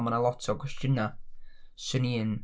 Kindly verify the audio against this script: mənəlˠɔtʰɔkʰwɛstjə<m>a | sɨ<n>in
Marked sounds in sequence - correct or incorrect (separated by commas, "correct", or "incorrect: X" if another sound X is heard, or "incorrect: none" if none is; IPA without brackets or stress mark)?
incorrect: n, correct